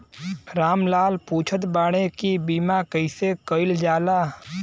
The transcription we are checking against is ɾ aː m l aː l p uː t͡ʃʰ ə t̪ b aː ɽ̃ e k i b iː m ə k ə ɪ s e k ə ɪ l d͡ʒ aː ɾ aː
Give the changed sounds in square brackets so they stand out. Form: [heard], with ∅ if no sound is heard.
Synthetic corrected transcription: ɾ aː m l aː l p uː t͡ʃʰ ə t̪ b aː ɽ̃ e k i b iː m [a] k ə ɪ s e k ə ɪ l d͡ʒ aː [l] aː

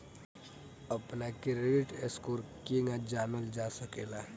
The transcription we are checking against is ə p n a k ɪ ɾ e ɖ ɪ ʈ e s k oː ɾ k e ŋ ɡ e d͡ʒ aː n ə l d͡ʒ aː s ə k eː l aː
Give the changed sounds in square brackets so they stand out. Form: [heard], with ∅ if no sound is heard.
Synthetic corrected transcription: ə p n a k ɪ ɾ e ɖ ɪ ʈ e s k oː ɾ k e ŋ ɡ [a] d͡ʒ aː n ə l d͡ʒ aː s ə k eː l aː

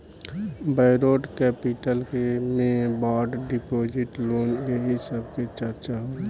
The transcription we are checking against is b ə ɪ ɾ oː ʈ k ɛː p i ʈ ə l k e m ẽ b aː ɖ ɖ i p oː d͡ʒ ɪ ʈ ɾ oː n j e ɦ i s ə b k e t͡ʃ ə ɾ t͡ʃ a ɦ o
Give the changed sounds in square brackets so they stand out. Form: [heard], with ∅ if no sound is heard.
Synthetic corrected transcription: b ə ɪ ɾ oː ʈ k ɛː p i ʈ ə l k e m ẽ b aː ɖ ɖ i p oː d͡ʒ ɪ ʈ [l] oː n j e ɦ i s ə b k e t͡ʃ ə ɾ t͡ʃ a ɦ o

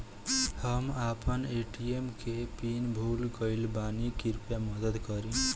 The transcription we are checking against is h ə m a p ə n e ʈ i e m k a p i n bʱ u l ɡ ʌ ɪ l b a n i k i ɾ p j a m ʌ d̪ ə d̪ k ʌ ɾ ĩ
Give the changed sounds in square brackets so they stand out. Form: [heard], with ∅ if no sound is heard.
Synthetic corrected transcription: h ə m a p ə n e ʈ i e m k [e] p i n bʱ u l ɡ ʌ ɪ l b a n i k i ɾ p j a m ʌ d̪ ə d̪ k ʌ ɾ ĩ

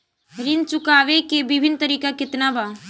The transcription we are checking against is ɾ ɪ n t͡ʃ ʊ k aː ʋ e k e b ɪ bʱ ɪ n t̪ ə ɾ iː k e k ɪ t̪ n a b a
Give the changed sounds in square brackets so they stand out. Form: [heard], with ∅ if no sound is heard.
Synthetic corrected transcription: ɾ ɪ n t͡ʃ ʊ k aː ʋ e k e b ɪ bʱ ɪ n t̪ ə ɾ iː k [a] k ɪ t̪ n a b a

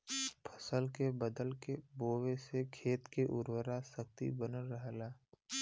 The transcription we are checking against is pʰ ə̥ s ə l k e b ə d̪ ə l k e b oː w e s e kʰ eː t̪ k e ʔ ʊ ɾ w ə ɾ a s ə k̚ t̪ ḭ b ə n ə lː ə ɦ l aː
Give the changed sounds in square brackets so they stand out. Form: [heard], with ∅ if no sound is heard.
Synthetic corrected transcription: pʰ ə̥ s ə l k e b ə d̪ ə l k e b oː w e s e kʰ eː t̪ k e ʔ ʊ ɾ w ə ɾ a s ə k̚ t̪ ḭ b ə n ə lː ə ɦ l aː

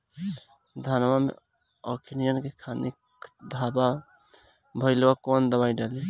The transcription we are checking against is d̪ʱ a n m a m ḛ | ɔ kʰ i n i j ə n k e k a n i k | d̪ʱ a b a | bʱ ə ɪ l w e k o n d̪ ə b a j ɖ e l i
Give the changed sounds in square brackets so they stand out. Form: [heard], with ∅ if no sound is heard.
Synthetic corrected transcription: d̪ʱ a n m a m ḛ | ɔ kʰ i n i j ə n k e [kʰ] a n i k | d̪ʱ a b a | bʱ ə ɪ l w [a] k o n d̪ ə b a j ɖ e l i

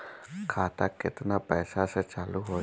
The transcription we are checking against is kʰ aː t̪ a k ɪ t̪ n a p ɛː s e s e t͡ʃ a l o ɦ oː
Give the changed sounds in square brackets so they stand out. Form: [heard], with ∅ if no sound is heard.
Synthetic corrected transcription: kʰ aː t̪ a k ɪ t̪ n a p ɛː s [a] s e t͡ʃ a l [u] ɦ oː

